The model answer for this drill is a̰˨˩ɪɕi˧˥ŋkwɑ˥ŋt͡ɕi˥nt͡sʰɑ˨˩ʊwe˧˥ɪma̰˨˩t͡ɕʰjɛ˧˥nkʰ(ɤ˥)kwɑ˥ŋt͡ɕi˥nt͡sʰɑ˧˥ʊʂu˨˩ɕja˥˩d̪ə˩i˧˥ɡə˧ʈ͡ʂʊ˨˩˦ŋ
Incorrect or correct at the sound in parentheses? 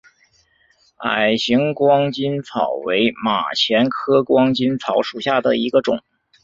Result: correct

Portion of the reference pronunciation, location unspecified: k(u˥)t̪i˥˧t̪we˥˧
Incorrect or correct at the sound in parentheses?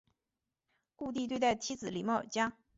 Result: incorrect: u˥˧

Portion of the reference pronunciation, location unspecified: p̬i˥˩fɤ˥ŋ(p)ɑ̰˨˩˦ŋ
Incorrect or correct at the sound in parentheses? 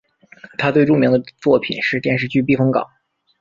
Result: incorrect: k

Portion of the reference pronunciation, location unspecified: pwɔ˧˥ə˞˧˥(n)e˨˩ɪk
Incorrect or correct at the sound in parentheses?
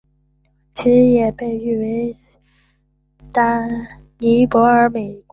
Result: incorrect: m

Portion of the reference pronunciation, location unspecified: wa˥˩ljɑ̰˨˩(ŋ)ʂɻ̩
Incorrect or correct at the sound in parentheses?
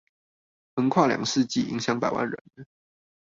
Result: correct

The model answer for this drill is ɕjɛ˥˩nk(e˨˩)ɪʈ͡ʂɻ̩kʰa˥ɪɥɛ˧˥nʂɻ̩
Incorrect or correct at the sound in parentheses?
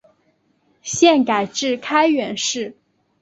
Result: incorrect: a˨˩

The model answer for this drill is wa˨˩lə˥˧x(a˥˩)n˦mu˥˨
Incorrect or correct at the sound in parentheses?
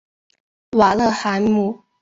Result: incorrect: a˧˦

